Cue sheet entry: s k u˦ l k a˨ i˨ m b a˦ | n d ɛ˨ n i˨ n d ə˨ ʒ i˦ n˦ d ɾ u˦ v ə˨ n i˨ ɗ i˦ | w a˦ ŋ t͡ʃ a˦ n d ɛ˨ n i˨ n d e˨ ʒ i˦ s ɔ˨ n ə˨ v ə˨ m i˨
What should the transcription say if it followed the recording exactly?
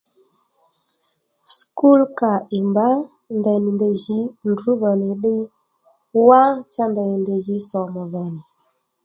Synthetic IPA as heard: s k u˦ l k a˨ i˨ m b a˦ | n d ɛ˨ n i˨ n d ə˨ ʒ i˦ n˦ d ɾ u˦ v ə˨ n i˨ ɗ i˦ | w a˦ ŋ t͡ʃ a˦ n d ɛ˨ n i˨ n d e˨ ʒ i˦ s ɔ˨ m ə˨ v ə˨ n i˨